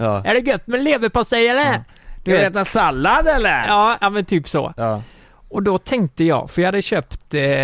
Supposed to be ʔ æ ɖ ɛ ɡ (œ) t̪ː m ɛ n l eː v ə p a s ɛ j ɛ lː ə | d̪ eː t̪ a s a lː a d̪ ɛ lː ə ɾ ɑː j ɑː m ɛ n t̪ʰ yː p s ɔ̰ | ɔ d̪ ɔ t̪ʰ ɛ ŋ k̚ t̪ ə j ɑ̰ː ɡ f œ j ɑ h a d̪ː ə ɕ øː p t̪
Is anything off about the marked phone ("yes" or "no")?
no